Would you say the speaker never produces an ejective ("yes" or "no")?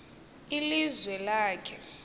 yes